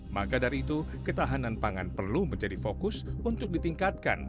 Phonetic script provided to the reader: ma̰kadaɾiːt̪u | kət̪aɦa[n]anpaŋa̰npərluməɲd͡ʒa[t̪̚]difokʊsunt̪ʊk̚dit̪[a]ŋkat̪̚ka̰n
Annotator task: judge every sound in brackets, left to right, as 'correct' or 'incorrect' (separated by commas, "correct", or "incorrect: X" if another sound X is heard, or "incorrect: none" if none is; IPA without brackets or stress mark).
correct, incorrect: none, incorrect: i